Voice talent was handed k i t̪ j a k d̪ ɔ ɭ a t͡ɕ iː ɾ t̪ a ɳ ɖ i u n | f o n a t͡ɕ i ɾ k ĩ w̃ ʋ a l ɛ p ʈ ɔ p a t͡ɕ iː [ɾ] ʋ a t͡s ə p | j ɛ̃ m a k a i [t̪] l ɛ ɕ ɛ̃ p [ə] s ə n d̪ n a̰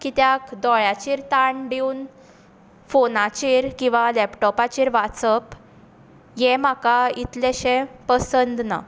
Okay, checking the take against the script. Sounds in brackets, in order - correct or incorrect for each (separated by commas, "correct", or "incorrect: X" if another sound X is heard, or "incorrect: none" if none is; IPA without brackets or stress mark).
correct, correct, correct